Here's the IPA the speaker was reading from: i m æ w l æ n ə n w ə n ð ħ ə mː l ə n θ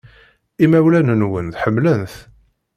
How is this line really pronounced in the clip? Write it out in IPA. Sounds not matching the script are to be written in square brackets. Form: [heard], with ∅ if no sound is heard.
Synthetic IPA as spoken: i m æ w l æ n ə n w ə n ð ħ ə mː l ə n θ

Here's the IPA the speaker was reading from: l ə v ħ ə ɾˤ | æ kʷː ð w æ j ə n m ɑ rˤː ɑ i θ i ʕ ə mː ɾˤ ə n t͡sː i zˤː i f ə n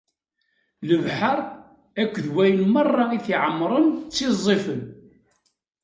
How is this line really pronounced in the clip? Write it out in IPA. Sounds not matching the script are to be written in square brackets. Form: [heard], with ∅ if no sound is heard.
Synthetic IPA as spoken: l ə v ħ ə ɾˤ | æ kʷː ð w æ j ə n m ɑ rˤː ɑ i θ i ʕ ə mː ɾˤ ə n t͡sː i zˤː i f ə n

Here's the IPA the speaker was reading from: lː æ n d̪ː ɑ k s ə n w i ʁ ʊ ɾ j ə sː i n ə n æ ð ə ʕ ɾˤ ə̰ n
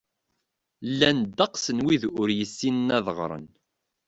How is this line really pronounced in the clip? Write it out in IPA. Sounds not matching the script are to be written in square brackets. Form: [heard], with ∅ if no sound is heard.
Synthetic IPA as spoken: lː æ n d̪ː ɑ [q] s ə n w i [ð] ʊ ɾ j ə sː i n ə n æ ð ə [ʁ] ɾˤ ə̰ n

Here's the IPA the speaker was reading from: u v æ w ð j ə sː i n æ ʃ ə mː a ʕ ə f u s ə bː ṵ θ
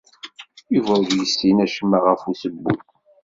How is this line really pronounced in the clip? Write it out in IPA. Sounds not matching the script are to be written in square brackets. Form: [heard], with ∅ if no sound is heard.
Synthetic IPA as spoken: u v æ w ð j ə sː i n æ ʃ ə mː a [ʁ] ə f u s ə bː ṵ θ

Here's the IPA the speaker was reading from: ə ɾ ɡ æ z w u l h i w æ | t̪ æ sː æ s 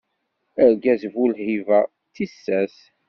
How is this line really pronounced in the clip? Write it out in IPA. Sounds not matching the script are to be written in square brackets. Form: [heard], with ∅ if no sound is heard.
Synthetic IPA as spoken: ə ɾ ɡ æ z [v] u l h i [v] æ | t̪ [i] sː æ s

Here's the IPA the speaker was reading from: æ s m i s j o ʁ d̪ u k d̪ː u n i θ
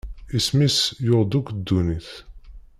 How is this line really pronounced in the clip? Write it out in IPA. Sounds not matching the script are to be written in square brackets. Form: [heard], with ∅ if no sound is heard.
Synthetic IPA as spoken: [i] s m i s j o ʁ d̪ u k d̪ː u n i θ

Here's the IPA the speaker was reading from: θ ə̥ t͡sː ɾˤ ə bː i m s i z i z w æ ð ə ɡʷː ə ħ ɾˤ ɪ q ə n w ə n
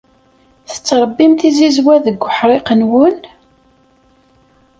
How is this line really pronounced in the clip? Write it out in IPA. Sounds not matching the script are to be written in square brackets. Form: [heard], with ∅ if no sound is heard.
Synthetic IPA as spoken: θ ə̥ t͡sː ɾˤ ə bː i m [θ] i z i z w æ ð ə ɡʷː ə ħ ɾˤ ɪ q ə n w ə n

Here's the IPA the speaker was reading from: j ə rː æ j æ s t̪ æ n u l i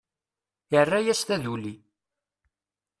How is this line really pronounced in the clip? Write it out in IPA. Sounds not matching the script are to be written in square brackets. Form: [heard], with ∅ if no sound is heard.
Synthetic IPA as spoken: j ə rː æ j æ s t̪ æ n u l i

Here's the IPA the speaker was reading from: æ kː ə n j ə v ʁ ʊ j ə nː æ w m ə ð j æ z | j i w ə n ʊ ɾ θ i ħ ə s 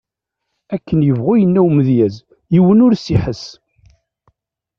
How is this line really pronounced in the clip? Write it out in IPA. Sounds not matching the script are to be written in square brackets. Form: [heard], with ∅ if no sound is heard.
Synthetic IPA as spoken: æ kː ə n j ə v ʁ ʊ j ə nː æ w m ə ð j æ z | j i w ə n ʊ ɾ [s] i ħ ə s

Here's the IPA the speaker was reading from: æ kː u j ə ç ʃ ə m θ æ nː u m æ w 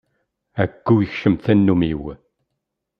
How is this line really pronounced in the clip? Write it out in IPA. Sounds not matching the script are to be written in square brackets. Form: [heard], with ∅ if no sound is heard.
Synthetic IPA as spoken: æ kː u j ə ç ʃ ə m θ æ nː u m [i] w

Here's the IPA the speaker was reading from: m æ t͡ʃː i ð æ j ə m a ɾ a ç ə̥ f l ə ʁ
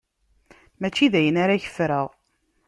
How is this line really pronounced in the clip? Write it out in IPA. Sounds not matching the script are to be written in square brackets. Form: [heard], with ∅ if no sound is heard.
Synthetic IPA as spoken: m æ t͡ʃː i ð æ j ə [n] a ɾ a ç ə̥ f [ɾ] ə ʁ

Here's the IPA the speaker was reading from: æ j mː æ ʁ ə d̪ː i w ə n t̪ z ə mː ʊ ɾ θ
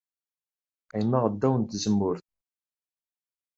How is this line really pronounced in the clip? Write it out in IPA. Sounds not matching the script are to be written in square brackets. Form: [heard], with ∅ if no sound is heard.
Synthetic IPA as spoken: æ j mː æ ʁ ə d̪ː [æ] w ə n t̪ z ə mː ʊ ɾ θ

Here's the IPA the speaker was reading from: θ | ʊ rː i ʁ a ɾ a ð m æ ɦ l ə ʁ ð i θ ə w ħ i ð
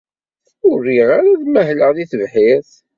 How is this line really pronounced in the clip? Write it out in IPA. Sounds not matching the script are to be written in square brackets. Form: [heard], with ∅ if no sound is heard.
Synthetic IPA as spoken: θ | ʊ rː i ʁ a ɾ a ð m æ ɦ l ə ʁ ð i θ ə [v] ħ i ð

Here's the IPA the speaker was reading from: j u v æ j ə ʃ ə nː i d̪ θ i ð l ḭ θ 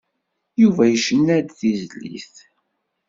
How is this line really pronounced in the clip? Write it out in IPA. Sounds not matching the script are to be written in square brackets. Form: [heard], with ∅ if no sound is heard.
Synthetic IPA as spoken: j u v æ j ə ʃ ə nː [æ] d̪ θ i [z] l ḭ θ

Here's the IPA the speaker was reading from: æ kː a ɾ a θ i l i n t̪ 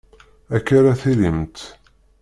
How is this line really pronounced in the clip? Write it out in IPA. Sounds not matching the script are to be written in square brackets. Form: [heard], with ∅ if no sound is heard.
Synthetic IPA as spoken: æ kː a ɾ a θ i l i [m] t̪

